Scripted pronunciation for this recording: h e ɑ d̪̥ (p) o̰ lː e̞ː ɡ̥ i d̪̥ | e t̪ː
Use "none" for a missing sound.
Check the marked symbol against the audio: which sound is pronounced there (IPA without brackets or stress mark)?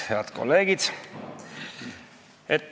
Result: k